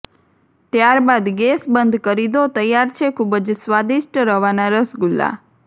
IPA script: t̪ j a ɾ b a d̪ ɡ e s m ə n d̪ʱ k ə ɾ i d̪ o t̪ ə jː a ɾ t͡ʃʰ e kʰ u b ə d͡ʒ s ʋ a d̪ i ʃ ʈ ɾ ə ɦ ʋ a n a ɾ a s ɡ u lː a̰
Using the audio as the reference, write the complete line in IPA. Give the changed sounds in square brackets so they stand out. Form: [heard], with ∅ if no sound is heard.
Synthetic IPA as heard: t̪ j a ɾ b a d̪ ɡ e s [b] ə n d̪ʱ k ə ɾ i d̪ o t̪ ə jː a ɾ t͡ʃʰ e kʰ u b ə d͡ʒ s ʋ a d̪ i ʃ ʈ ɾ ə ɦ ʋ a n a ɾ [ə] s ɡ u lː a̰